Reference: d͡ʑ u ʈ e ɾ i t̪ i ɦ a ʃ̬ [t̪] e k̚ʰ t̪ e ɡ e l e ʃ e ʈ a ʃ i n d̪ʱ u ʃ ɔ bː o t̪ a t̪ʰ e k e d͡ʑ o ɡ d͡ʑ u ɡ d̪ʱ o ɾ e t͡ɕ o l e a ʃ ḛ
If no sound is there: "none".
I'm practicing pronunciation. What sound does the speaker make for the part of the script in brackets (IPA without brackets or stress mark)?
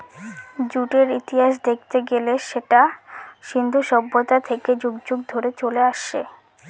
d̪